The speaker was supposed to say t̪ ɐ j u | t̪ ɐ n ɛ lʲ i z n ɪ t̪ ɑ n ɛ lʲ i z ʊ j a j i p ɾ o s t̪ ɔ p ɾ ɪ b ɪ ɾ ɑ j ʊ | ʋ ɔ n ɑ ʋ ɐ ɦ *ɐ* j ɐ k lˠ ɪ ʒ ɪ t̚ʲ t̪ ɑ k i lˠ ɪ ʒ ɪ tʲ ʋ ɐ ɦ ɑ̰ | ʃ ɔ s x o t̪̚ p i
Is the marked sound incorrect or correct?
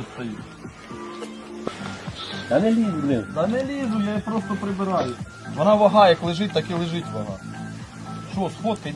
incorrect